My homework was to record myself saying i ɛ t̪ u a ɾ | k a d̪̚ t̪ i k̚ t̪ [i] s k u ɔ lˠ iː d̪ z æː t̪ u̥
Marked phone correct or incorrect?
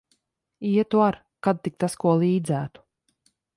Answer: incorrect